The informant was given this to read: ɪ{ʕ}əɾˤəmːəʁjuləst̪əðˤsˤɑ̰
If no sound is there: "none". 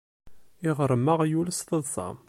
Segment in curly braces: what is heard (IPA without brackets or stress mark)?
ʁ